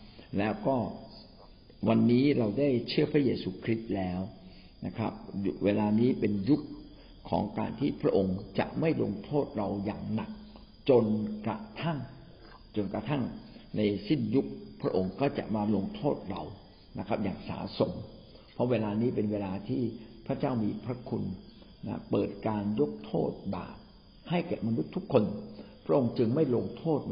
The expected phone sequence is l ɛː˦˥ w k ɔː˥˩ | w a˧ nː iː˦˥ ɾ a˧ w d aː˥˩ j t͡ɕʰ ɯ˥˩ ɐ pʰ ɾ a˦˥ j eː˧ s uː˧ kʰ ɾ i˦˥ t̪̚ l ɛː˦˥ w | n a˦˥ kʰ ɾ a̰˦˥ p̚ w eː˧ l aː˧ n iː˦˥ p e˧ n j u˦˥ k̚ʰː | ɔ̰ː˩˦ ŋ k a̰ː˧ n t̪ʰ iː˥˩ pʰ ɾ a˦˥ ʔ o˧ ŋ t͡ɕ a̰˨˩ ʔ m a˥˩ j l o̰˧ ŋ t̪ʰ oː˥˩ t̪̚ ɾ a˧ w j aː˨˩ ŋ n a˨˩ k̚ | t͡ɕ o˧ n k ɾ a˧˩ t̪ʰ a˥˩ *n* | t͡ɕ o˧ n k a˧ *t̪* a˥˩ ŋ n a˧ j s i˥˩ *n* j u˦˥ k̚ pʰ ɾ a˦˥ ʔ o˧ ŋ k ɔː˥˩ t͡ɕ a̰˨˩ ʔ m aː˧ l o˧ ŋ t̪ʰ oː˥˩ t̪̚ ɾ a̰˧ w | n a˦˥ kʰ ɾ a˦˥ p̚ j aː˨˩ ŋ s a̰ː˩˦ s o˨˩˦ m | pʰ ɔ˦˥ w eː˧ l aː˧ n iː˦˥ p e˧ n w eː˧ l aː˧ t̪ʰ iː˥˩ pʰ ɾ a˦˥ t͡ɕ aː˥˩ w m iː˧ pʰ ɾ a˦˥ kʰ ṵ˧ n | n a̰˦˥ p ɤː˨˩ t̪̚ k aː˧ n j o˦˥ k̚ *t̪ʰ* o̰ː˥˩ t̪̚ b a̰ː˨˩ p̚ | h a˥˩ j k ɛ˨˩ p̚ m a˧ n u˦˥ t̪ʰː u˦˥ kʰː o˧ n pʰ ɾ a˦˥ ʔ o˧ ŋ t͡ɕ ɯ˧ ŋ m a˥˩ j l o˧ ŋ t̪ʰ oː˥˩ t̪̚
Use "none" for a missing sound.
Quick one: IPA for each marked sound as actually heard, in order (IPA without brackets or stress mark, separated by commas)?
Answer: ŋ, t̪ʰ, n, t̪ʰ